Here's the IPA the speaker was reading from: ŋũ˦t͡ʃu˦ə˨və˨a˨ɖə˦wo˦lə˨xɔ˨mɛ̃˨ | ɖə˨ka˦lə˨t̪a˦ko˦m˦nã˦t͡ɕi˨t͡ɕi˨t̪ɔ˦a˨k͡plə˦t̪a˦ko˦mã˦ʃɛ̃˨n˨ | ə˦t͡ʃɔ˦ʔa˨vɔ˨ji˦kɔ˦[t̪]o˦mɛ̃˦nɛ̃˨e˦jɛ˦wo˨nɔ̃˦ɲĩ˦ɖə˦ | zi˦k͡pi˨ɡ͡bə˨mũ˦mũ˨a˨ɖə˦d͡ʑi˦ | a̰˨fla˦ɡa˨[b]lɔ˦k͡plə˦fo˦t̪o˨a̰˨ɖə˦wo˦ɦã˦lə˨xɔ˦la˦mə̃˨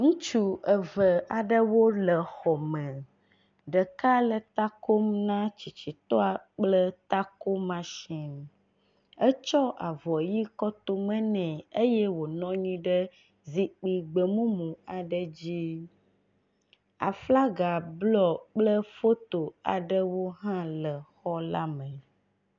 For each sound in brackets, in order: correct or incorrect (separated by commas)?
correct, correct